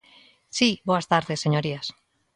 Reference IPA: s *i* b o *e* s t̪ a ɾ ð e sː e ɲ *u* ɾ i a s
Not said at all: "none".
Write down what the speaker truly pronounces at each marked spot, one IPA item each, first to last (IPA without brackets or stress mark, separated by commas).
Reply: i, a, o